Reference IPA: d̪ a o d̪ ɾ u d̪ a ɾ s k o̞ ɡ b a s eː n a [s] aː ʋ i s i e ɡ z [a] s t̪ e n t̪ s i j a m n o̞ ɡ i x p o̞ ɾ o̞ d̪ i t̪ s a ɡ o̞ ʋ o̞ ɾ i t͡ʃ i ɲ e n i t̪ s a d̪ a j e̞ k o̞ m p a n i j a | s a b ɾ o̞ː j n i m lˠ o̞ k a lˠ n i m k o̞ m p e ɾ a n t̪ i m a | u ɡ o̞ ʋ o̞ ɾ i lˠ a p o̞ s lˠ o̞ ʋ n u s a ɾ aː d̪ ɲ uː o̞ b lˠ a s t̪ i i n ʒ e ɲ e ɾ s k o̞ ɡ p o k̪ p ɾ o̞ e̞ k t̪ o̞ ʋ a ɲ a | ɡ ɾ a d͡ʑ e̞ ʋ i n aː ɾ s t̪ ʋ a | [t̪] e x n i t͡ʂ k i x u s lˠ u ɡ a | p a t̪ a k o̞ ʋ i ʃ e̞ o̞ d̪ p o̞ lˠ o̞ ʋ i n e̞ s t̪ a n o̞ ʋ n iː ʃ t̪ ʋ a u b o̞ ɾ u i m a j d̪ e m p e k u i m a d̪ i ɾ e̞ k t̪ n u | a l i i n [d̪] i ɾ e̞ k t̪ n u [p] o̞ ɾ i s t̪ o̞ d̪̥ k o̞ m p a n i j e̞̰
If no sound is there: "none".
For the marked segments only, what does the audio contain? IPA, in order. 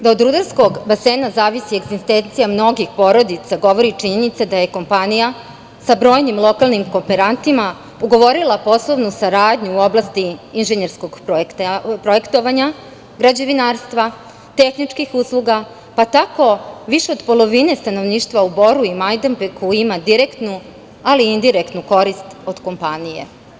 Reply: z, i, t̪, d̪, k

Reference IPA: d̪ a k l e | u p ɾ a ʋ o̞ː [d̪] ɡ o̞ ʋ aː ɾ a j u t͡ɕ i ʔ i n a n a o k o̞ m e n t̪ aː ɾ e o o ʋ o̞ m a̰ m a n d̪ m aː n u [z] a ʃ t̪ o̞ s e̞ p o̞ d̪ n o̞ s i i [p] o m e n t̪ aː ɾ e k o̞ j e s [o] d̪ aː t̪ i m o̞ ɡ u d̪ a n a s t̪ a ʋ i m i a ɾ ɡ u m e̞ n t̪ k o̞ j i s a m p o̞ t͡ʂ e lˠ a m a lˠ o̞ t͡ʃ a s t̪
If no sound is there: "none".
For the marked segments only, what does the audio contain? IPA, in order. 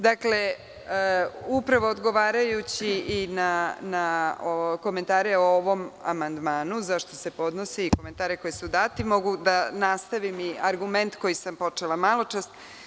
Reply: d̪, z, k, u

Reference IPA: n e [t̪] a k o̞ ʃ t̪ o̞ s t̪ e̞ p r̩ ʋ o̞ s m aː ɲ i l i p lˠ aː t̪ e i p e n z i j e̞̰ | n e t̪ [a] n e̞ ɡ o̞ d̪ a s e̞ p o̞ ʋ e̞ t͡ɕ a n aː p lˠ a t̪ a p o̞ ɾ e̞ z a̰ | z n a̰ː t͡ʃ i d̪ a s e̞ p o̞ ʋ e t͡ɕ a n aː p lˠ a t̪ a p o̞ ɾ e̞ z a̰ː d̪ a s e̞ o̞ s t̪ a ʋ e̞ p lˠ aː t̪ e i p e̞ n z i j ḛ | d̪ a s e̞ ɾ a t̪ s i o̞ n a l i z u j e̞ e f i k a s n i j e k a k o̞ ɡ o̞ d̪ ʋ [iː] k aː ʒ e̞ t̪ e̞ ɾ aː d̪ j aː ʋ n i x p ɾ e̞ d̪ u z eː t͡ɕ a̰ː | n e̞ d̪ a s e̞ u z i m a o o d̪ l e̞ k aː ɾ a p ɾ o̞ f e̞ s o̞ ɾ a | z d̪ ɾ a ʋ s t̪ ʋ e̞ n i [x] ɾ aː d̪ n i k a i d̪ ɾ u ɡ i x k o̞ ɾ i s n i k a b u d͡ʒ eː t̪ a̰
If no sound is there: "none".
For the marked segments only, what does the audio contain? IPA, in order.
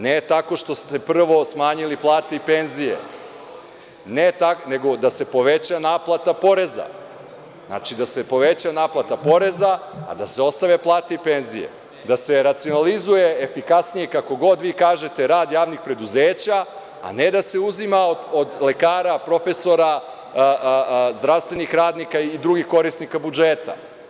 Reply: t̪, a, iː, x

